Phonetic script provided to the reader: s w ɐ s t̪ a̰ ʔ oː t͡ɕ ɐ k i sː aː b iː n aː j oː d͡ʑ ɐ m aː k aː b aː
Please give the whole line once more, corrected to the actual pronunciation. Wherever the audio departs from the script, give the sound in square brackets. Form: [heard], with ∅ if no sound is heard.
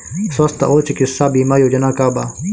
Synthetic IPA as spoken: s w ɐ s t̪ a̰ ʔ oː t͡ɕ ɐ k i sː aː b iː [m] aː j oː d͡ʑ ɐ [n] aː k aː b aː